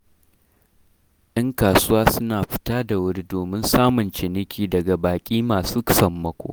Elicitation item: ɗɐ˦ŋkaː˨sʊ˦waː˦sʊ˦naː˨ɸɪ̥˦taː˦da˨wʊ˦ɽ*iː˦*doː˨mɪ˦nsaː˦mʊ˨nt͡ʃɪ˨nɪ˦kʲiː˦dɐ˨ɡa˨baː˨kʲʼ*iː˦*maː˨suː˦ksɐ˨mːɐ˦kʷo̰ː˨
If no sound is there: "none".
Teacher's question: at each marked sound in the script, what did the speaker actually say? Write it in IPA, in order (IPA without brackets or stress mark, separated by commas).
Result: i˦, iː˦